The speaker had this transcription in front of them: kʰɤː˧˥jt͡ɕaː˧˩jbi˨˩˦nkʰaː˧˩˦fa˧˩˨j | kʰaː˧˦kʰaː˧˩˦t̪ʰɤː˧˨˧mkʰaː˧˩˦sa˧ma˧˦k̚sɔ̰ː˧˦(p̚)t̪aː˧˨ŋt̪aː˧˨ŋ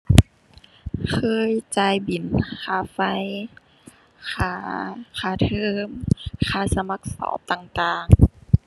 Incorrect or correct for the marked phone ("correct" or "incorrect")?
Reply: correct